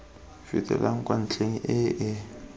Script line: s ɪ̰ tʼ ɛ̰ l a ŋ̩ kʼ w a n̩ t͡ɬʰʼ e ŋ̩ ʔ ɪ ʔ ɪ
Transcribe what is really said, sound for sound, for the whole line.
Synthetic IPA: f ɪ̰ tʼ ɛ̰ l a ŋ̩ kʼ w a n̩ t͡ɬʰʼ e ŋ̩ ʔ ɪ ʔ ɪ